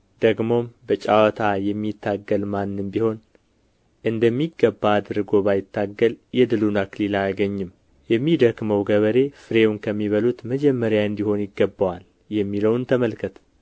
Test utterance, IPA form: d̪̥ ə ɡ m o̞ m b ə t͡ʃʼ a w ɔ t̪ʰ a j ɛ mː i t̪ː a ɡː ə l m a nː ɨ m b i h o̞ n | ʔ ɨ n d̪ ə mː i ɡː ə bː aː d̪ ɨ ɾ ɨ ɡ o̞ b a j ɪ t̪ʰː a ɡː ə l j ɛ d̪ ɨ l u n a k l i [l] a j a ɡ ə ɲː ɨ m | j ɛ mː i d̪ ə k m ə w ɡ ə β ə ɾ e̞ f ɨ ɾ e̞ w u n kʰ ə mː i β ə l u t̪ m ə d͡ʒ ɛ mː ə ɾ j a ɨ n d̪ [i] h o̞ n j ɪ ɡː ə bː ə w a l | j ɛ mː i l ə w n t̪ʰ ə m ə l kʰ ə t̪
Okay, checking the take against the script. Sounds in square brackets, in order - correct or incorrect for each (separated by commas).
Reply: correct, correct